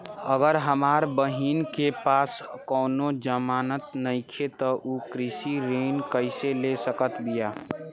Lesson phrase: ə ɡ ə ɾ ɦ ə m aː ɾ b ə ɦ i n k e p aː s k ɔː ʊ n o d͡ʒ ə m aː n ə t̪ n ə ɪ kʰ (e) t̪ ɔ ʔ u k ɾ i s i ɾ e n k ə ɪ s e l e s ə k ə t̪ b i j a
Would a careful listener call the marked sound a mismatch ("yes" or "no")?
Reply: no